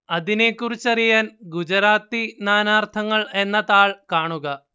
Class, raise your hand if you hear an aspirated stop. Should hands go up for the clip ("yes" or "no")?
yes